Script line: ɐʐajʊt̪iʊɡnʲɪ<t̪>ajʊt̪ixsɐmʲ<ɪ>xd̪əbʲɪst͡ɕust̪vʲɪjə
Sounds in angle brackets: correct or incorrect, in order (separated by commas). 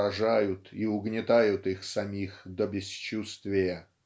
correct, incorrect